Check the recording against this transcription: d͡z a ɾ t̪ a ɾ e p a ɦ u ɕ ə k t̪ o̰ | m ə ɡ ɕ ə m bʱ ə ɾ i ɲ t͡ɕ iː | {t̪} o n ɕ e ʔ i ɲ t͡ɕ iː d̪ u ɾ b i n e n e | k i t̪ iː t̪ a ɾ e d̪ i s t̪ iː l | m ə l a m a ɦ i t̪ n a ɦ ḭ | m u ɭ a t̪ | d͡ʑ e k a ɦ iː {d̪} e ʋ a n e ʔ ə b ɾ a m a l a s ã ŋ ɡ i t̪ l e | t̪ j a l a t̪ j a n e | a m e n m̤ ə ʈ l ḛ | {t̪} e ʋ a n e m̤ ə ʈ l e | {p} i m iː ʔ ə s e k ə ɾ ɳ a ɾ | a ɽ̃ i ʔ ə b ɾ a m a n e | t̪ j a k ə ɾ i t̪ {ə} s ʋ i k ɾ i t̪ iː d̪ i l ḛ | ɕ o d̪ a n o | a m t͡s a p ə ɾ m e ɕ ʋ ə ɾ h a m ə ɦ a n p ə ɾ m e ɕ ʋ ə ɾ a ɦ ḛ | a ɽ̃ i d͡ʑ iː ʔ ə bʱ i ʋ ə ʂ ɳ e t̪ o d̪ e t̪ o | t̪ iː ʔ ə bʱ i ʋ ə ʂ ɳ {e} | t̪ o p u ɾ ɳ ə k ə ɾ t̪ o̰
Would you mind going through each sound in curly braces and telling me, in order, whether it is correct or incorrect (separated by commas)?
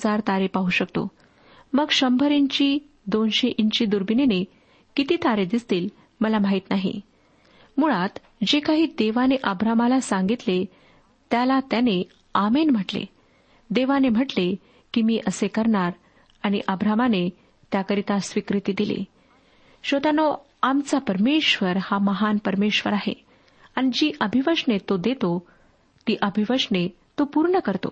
incorrect, correct, incorrect, incorrect, incorrect, correct